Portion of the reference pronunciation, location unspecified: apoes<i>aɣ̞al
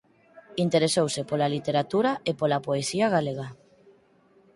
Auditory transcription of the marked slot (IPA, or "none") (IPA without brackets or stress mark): i